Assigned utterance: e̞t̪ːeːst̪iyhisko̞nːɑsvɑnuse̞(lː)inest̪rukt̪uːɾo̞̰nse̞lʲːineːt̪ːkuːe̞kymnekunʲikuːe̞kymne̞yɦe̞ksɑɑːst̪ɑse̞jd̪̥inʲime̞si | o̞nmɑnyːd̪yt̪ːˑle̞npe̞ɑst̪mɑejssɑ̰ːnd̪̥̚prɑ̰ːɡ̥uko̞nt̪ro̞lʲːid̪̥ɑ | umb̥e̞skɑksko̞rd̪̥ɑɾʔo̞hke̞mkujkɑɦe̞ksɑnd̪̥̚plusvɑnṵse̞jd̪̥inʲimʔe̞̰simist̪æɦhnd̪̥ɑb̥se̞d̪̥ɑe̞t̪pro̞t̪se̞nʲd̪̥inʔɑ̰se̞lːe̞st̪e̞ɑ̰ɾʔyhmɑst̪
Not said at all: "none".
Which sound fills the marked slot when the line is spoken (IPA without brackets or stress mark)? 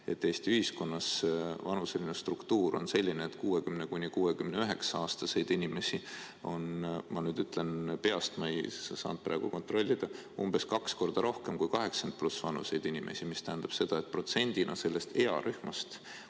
l